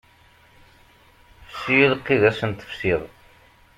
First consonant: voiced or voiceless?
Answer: voiceless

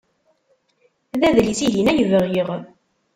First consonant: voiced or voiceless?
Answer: voiced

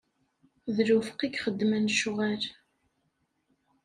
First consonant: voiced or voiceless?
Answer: voiced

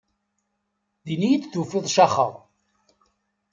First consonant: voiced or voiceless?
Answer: voiced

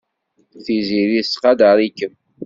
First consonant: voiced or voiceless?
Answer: voiceless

